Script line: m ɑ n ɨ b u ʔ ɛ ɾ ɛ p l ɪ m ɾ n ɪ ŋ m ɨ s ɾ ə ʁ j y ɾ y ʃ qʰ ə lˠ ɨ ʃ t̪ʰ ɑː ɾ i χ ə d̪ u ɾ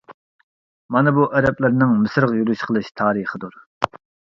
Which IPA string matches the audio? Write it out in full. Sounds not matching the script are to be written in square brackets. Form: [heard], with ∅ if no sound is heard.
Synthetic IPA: m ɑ n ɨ b u ʔ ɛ ɾ ɛ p l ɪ [∅] ɾ n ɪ ŋ m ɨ s ɾ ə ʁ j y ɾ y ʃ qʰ ə lˠ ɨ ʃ t̪ʰ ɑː ɾ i χ ə d̪ u ɾ